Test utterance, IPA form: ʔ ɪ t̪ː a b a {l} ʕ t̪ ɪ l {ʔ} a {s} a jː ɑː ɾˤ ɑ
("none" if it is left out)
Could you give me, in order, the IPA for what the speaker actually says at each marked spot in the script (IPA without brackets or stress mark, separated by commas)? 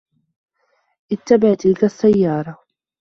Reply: none, k, sː